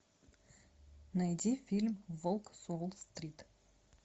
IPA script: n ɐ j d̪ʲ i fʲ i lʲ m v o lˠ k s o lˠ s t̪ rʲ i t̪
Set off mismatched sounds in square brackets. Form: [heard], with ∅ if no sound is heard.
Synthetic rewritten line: n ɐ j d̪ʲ i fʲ i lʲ m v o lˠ k s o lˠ s t̪ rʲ i t̪